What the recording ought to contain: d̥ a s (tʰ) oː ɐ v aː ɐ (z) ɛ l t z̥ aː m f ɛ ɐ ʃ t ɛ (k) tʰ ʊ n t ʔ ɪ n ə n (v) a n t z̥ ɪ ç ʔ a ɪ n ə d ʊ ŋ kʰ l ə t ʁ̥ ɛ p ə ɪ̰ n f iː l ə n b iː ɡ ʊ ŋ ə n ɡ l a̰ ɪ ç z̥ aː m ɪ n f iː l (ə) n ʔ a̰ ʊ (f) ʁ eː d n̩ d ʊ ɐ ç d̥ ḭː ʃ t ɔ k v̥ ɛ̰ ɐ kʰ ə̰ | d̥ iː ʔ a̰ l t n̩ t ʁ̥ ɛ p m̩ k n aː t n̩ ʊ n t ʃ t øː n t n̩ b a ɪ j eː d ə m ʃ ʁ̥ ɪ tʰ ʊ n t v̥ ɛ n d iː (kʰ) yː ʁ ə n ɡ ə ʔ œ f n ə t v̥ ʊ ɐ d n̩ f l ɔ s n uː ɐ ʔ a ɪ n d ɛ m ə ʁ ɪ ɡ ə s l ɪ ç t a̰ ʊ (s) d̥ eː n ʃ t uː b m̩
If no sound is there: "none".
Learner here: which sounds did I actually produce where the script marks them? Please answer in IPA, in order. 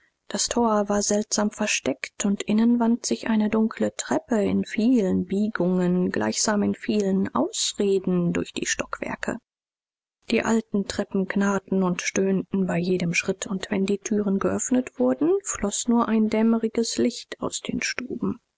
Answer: tʰ, z, k, v, ə, s, tʰ, s

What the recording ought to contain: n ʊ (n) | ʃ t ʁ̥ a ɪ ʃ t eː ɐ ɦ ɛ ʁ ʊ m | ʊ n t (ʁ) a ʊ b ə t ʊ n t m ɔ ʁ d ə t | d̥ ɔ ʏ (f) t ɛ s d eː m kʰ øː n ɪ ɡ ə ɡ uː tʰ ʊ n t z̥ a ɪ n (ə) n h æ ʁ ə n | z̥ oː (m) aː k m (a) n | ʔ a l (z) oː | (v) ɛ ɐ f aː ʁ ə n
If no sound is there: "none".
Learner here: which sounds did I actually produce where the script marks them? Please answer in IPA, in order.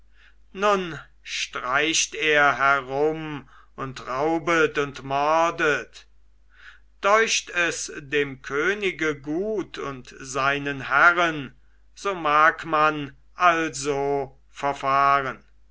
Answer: n, ʁ, ʃ, ə, m, a, z, f

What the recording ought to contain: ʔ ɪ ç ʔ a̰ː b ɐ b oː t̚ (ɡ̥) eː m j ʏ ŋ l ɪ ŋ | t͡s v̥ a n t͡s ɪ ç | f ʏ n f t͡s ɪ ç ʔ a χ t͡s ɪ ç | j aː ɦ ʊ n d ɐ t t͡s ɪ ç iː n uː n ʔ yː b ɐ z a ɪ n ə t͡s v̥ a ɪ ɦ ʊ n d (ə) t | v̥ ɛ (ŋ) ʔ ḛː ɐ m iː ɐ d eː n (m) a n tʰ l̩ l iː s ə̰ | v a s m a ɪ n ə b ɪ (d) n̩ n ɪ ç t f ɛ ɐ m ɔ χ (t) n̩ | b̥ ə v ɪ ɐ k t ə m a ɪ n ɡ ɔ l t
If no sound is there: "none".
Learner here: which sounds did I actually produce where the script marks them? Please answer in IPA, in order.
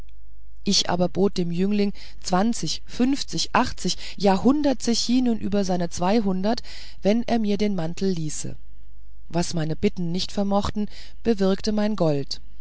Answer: d̥, ɐ, n, m, t, t

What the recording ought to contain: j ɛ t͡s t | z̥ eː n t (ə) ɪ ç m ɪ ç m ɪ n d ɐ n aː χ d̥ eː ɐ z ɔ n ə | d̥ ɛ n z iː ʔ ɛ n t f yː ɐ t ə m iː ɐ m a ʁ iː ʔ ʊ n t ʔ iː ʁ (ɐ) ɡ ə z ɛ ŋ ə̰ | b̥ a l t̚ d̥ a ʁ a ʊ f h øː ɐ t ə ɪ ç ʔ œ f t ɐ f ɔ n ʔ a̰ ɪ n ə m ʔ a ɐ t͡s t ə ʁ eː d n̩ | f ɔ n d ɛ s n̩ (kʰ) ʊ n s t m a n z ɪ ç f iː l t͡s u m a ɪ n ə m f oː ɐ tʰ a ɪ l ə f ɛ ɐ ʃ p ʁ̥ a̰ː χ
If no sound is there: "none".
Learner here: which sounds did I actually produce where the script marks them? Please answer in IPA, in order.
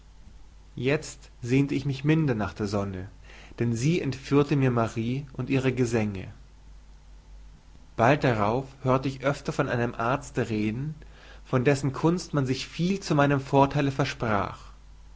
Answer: ə, ə, kʰ

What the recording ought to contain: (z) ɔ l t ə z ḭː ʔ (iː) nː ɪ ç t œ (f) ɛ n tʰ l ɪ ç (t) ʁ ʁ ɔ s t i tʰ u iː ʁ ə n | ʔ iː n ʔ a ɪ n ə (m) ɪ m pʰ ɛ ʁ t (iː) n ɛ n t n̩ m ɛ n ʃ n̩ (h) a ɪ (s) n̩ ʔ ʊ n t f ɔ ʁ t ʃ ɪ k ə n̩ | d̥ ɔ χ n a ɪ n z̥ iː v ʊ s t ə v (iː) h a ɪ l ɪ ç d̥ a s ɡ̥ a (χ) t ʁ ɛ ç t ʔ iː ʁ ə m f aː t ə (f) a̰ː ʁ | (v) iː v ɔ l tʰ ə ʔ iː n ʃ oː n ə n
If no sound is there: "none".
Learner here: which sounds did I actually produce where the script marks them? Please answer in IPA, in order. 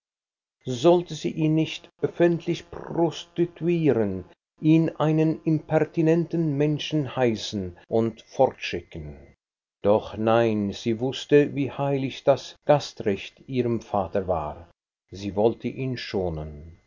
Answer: z, iː, f, p, n, i, h, s, iː, s, v, z

